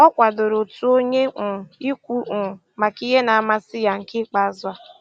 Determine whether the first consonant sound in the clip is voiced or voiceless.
voiceless